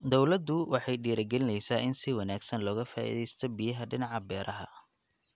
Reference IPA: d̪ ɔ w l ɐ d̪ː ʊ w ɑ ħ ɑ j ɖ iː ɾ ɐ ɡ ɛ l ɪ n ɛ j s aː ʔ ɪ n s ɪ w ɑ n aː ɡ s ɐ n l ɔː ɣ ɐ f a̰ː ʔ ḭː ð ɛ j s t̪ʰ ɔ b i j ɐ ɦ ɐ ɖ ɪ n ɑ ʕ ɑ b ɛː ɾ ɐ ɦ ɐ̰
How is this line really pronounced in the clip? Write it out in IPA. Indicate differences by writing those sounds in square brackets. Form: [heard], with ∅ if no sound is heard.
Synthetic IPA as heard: d̪ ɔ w l ɐ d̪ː ʊ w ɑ ħ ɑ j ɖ iː ɾ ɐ ɡ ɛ l ɪ n ɛ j s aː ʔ ɪ n s ɪ w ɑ n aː ɡ s ɐ n l ɔː ɣ ɐ f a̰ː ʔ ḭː ð ɛ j s t̪ʰ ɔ b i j ɐ ɦ ɐ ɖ ɪ n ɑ ʕ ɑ b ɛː ɾ ɐ ɦ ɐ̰